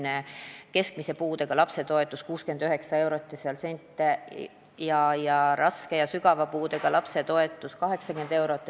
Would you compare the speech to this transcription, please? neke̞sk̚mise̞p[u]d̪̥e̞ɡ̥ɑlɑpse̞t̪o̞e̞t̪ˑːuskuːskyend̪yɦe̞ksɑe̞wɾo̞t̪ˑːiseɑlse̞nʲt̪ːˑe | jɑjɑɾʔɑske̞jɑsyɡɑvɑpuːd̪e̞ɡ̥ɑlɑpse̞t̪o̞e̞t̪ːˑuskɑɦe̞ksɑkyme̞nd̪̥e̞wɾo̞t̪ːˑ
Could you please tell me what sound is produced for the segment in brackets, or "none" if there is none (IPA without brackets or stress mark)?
uː